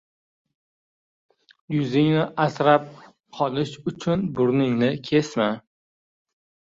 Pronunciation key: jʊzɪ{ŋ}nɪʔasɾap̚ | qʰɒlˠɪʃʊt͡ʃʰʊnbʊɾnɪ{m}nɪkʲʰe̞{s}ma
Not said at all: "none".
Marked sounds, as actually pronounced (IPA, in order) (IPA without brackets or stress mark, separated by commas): ŋ, ŋ, s